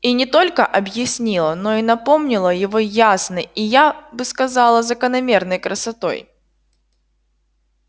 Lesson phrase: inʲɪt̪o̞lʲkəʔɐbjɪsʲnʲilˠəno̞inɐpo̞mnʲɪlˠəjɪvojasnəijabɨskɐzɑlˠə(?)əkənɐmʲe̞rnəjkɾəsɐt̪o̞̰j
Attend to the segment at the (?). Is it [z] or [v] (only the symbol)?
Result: z